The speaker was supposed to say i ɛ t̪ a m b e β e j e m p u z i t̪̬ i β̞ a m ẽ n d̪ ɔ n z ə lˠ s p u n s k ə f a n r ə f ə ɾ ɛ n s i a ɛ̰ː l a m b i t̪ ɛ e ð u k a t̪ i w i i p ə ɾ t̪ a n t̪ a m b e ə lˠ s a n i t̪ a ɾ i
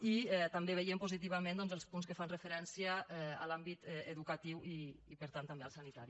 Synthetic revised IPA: i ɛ t̪ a m b e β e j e m p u z i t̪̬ i β̞ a m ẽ n d̪ ɔ n z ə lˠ s p u n s k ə f a n r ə f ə ɾ ɛ n s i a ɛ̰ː l a m b i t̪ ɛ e ð u k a t̪ i w i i p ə ɾ t̪ a n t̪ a m b e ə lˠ s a n i t̪ a ɾ i